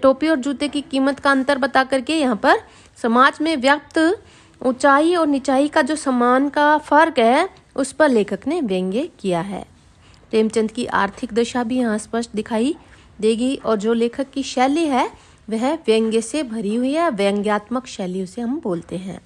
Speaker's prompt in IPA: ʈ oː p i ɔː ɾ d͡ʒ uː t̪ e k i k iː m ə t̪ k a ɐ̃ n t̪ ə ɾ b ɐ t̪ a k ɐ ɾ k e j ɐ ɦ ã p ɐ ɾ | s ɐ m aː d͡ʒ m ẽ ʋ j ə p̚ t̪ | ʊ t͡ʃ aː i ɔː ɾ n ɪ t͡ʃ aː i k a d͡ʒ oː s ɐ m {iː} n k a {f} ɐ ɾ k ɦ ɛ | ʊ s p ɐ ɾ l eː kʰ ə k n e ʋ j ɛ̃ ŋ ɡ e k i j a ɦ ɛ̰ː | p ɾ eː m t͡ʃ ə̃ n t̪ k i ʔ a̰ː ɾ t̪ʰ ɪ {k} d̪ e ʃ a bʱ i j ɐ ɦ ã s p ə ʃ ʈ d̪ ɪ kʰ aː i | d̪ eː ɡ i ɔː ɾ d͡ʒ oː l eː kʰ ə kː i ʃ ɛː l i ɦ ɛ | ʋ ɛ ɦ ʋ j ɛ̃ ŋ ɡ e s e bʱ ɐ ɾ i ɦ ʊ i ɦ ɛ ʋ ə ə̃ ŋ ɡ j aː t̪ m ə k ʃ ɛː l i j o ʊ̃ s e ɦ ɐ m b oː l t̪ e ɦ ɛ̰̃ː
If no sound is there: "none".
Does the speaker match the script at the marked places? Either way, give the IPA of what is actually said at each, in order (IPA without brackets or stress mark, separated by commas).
aː, f, k